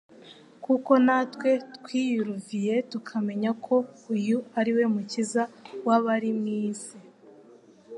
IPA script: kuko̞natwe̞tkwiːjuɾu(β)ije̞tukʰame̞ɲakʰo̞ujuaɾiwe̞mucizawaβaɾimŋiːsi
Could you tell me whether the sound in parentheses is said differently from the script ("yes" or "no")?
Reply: yes